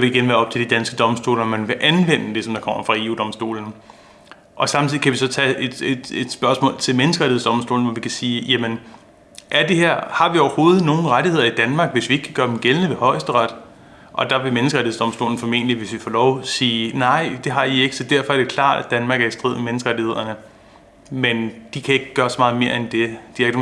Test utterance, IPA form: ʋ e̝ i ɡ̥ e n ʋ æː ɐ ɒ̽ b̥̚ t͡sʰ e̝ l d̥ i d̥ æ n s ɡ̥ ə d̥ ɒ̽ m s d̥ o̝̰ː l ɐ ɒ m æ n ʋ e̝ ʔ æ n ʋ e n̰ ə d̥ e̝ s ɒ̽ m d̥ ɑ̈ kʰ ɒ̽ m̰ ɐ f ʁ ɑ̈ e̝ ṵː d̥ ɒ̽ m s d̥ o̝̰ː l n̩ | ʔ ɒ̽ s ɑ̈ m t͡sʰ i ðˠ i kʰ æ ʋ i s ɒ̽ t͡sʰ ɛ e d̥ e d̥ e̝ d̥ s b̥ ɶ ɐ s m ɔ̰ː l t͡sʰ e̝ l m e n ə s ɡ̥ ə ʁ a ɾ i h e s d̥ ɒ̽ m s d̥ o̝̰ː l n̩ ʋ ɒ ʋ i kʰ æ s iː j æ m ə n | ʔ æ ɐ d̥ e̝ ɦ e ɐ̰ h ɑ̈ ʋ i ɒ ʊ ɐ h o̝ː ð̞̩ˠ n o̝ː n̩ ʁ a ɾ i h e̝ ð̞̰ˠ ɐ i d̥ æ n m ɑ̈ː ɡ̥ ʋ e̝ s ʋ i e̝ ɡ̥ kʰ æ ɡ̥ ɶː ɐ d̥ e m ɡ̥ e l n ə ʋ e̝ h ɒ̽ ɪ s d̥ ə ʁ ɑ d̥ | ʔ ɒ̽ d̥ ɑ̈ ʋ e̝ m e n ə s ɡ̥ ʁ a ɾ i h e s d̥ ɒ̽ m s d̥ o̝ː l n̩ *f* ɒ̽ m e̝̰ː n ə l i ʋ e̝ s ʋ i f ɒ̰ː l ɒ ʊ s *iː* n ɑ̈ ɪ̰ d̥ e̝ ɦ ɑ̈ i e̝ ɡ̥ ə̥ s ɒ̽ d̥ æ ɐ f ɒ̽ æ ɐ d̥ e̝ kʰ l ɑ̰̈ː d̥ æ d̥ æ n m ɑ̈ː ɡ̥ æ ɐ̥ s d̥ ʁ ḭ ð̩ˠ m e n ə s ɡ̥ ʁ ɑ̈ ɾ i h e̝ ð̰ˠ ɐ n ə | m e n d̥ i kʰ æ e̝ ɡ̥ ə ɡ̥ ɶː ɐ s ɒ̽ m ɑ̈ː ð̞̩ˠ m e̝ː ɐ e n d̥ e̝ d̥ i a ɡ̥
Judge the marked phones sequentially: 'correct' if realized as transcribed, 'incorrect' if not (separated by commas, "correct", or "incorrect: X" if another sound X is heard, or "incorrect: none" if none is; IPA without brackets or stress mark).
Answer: correct, correct